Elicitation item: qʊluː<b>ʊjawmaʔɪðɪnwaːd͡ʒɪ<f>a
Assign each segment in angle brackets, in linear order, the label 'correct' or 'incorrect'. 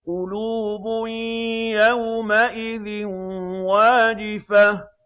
correct, correct

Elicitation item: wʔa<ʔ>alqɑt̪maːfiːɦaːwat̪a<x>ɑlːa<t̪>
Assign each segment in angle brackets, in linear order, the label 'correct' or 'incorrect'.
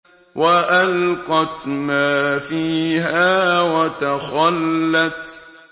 correct, correct, correct

